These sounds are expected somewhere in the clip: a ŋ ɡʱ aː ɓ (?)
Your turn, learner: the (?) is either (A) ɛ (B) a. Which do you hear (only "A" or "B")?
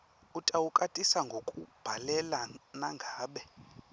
A